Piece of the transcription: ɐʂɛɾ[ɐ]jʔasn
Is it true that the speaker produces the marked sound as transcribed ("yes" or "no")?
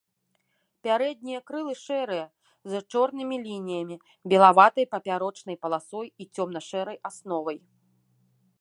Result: yes